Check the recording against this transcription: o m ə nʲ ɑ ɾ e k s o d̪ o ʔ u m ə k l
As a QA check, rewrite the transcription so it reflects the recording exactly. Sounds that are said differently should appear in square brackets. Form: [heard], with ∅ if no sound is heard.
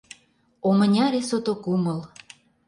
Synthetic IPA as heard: o m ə nʲ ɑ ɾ e [∅] s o [t̪] o [k] u m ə [∅] l